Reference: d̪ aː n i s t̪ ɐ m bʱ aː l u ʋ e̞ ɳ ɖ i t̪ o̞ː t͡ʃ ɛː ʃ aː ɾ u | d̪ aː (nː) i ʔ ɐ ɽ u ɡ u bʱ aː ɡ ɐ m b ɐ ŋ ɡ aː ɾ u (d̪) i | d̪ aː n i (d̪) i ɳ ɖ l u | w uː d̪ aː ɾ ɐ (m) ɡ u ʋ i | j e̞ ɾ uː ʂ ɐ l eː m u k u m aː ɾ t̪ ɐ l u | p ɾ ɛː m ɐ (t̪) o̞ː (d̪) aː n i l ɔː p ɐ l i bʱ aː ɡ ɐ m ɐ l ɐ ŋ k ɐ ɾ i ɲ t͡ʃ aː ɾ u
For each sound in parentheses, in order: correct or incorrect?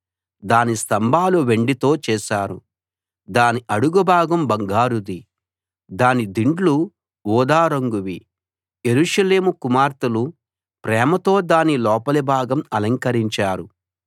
incorrect, correct, correct, incorrect, correct, correct

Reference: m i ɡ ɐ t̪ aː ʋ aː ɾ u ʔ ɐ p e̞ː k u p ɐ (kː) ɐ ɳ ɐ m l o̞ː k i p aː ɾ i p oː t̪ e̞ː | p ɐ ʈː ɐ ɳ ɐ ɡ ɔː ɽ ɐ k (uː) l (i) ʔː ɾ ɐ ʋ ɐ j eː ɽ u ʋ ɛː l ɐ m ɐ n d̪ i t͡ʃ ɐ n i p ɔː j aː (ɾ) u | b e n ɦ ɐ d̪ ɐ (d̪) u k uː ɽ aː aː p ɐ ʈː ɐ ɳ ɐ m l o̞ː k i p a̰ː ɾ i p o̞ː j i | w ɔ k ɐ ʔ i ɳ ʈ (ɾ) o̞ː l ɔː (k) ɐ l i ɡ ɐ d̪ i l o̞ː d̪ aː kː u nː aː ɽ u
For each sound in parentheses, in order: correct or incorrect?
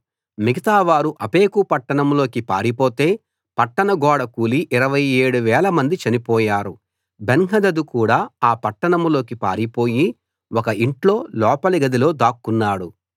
incorrect, correct, correct, correct, correct, incorrect, incorrect

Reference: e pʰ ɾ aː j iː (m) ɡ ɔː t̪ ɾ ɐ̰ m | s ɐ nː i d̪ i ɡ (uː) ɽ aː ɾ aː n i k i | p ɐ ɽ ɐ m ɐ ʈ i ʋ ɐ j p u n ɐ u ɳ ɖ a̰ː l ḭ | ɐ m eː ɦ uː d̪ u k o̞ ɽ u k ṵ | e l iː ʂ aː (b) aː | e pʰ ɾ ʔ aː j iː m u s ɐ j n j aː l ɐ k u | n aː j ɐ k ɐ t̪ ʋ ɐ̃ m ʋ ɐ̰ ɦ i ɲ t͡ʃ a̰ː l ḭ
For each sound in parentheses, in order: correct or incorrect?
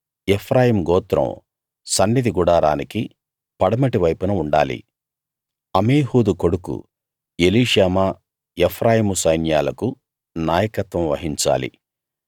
correct, incorrect, incorrect

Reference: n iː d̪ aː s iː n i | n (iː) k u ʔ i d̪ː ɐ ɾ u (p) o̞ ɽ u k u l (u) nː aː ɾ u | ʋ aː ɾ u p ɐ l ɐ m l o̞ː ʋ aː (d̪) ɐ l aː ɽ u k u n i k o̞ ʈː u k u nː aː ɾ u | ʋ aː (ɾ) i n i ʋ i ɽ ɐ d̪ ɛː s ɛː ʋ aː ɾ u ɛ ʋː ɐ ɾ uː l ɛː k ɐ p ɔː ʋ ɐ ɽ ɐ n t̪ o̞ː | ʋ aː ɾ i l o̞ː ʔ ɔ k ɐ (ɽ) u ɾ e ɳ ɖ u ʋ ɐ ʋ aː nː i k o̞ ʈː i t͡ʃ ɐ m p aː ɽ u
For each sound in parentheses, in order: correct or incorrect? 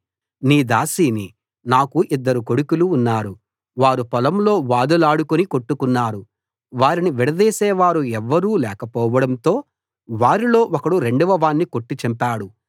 incorrect, incorrect, incorrect, correct, correct, correct

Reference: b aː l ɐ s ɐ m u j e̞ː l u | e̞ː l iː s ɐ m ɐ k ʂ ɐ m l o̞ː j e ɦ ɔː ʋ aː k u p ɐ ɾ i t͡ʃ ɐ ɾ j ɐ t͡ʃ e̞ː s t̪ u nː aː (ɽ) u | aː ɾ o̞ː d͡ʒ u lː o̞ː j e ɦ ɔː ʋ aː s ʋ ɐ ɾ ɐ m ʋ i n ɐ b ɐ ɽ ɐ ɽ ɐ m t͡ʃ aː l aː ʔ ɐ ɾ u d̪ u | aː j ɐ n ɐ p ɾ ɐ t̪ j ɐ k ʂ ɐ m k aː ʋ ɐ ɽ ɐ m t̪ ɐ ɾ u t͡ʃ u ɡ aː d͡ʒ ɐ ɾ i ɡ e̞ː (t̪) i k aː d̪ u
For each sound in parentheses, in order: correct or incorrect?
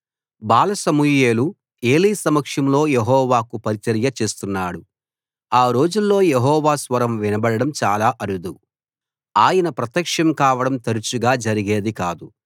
correct, incorrect

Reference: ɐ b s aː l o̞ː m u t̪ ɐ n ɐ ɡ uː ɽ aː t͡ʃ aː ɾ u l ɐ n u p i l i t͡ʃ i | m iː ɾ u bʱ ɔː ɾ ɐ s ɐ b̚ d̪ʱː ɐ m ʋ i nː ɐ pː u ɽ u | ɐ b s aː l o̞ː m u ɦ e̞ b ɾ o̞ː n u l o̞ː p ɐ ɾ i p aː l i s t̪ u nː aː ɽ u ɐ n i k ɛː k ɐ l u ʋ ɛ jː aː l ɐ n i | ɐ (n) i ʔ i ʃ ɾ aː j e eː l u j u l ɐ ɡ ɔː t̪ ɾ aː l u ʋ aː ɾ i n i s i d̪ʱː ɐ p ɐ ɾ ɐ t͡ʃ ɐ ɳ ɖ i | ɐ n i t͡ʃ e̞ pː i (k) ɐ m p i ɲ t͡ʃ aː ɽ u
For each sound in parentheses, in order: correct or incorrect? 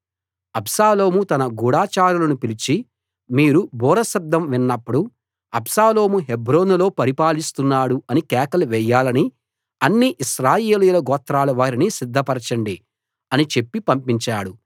incorrect, incorrect

